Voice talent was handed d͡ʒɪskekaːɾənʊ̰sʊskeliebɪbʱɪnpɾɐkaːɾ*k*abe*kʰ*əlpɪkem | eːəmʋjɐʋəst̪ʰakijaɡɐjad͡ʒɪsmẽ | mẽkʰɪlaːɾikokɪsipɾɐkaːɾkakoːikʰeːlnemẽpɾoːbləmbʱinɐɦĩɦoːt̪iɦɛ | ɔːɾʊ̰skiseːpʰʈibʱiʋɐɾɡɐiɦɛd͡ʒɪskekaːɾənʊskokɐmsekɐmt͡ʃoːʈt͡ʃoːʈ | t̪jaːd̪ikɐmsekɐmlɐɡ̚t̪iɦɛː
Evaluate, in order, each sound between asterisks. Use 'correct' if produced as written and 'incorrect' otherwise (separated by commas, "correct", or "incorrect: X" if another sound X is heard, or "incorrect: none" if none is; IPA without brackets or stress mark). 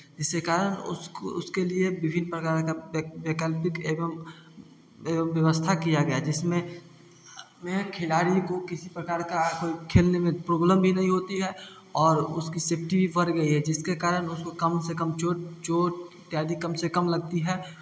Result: correct, incorrect: k